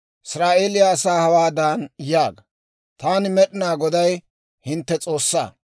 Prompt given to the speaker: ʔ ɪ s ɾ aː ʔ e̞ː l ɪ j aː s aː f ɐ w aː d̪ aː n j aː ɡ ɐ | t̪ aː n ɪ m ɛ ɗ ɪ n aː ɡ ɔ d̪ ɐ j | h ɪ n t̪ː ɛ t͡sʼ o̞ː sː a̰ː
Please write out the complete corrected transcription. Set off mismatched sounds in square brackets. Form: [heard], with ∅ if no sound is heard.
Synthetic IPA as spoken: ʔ ɪ s ɾ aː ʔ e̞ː l ɪ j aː s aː [h] ɐ w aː d̪ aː n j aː ɡ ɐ | t̪ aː n ɪ m ɛ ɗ ɪ n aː ɡ ɔ d̪ ɐ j | h ɪ n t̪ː ɛ t͡sʼ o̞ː sː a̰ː

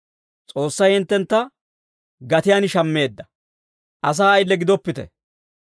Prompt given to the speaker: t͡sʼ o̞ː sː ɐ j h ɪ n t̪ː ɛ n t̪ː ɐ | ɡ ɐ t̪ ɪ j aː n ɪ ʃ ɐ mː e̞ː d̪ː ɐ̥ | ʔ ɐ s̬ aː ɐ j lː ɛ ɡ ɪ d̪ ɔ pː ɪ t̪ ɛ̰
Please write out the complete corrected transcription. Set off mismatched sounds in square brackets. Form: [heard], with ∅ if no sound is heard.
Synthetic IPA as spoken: t͡sʼ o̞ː sː ɐ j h ɪ n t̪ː ɛ n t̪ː ɐ | ɡ ɐ t̪ ɪ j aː n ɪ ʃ ɐ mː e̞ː d̪ː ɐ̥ | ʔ ɐ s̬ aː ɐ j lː ɛ ɡ ɪ d̪ ɔ pː ɪ t̪ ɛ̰

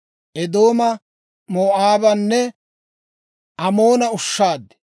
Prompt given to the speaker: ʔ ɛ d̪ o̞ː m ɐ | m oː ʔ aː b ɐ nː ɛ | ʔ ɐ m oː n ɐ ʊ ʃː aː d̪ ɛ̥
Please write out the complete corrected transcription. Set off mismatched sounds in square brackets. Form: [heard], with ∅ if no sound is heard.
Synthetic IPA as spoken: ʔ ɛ d̪ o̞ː m ɐ | m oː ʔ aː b ɐ nː ɛ | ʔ ɐ m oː n ɐ ʊ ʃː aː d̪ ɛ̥

